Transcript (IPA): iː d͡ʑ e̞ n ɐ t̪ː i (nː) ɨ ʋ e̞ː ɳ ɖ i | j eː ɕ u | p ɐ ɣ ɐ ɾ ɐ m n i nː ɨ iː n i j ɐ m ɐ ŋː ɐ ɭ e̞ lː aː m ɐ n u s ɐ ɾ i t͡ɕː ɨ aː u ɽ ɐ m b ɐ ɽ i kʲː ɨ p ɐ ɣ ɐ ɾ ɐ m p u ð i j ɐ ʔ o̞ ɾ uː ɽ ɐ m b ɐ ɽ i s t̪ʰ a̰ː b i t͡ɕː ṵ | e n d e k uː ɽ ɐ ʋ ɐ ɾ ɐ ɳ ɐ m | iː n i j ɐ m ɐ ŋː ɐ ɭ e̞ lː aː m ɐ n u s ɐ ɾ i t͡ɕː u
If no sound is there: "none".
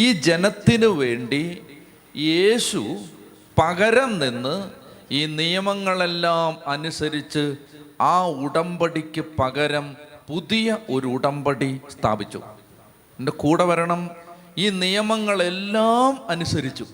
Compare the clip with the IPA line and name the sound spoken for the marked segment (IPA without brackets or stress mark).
n